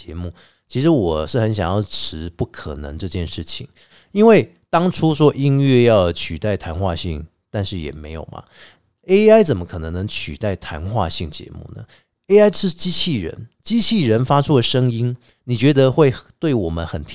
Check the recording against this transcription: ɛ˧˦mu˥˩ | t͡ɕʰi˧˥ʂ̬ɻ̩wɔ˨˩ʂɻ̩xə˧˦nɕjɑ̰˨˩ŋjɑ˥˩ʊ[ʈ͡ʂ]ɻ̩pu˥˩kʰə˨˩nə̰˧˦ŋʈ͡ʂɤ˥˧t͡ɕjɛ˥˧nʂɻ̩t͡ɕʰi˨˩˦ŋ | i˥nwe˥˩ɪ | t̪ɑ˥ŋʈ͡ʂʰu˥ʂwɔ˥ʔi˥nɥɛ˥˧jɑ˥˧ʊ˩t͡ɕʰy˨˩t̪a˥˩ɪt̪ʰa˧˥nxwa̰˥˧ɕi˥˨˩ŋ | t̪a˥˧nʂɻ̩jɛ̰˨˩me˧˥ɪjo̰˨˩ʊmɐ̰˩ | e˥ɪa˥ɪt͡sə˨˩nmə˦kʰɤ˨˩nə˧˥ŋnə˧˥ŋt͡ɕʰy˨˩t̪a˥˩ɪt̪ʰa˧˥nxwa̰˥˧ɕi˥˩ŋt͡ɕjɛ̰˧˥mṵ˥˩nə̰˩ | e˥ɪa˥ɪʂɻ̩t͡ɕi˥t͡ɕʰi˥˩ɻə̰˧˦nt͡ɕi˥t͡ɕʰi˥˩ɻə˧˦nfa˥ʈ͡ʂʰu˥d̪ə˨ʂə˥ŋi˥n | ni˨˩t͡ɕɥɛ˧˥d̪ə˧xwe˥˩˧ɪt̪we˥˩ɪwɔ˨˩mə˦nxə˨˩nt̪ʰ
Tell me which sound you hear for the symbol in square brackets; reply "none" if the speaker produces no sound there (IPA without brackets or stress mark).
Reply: ʈ͡ʂʰ